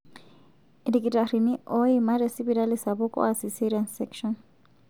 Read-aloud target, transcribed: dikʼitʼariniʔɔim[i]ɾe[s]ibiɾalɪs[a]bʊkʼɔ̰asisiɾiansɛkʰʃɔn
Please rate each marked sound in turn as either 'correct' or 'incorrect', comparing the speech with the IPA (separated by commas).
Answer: incorrect, correct, correct